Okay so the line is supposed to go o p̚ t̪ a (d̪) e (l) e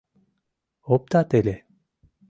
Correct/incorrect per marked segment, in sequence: incorrect, correct

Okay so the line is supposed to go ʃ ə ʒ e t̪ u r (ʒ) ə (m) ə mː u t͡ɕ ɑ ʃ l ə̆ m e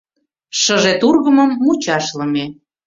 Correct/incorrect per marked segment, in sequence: incorrect, correct

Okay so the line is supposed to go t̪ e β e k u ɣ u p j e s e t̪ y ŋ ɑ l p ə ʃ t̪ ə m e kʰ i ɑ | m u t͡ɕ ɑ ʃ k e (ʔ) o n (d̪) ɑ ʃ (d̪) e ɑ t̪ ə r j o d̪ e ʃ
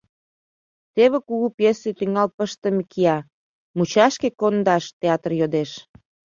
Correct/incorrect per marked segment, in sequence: incorrect, correct, incorrect

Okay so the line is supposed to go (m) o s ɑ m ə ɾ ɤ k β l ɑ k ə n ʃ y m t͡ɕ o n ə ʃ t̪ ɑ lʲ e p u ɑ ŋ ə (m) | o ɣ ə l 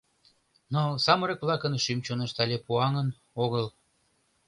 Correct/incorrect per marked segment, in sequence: incorrect, incorrect

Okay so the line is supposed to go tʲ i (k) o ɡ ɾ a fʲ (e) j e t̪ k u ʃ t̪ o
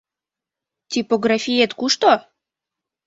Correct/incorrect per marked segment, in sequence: incorrect, incorrect

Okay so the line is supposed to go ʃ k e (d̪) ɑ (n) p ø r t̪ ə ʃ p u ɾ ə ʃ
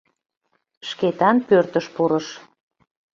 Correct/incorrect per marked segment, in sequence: incorrect, correct

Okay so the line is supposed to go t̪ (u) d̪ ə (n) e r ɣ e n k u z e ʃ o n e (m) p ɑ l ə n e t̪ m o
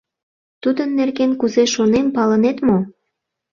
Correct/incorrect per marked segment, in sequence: correct, incorrect, correct

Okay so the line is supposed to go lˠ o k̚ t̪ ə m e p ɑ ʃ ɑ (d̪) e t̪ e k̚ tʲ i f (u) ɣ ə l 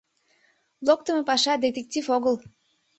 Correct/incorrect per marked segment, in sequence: correct, incorrect

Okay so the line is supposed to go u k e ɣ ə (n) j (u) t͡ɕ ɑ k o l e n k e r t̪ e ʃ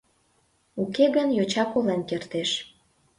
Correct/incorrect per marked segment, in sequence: correct, incorrect

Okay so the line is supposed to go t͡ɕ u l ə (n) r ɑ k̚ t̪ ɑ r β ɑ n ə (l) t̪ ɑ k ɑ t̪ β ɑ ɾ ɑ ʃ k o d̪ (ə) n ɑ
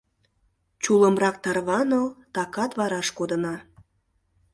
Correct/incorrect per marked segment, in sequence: incorrect, correct, correct

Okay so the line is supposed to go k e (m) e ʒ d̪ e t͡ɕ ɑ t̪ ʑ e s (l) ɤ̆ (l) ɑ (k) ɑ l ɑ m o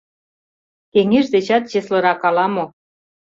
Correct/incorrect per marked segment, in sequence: incorrect, correct, incorrect, correct

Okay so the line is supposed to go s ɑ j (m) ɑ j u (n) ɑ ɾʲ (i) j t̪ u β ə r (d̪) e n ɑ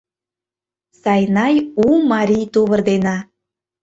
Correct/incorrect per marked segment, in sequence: incorrect, incorrect, correct, correct

